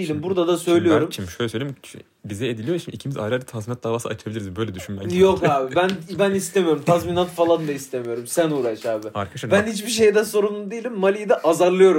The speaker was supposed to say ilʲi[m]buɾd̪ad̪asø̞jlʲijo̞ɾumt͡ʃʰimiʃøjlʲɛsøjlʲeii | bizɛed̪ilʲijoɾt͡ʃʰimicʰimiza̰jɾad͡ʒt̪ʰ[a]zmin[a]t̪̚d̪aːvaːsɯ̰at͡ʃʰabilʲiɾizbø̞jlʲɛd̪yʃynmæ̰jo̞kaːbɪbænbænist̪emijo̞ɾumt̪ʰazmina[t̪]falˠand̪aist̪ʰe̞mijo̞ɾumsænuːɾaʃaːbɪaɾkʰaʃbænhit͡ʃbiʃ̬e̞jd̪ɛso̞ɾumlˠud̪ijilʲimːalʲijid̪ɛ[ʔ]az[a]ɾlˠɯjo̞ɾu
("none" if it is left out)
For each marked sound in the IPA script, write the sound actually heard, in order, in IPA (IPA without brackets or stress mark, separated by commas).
m, a, a, t̪, ʔ, a